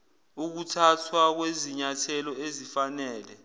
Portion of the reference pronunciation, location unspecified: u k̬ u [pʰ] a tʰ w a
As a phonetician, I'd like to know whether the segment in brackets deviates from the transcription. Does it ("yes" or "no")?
yes